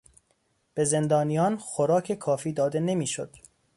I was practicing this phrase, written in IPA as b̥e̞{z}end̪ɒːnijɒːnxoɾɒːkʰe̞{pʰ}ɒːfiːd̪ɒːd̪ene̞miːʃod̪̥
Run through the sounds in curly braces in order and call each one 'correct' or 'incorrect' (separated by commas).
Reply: correct, incorrect